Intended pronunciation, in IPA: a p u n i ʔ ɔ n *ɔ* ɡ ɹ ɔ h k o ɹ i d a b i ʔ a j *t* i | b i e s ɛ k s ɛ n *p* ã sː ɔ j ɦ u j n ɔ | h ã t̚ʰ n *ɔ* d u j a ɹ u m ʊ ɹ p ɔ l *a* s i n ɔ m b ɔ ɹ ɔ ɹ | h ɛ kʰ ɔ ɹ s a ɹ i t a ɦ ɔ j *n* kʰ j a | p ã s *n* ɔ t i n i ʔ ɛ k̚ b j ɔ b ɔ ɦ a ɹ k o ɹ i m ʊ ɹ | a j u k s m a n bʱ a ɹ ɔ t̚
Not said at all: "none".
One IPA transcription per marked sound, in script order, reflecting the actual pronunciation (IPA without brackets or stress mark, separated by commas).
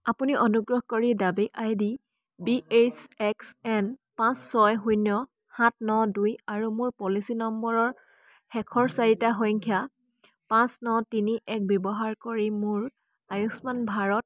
u, d, p, ɔ, i, ŋ, n